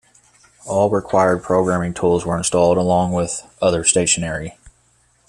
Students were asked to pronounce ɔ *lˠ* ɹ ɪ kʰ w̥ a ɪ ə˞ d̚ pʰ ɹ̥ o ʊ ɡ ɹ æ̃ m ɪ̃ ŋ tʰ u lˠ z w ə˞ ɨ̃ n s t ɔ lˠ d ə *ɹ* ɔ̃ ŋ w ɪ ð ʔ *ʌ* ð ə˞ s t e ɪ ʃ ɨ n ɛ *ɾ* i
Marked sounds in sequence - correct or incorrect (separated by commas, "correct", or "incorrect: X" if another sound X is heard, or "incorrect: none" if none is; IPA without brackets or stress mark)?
correct, incorrect: l, correct, incorrect: ɹ